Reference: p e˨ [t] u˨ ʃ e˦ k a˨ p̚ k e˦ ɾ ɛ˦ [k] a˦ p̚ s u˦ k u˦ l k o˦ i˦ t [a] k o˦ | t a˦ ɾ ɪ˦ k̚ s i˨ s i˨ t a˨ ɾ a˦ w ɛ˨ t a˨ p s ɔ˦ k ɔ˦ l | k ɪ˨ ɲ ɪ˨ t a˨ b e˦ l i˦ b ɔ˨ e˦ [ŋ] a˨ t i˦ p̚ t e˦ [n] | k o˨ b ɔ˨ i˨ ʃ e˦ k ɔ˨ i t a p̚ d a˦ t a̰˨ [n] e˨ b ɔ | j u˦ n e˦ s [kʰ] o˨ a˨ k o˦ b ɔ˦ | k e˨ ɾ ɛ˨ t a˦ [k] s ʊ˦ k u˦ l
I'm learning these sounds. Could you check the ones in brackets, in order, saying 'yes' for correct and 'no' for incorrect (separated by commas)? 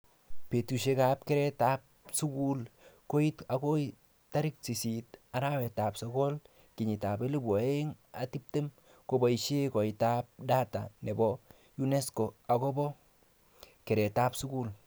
yes, no, yes, yes, no, yes, no, no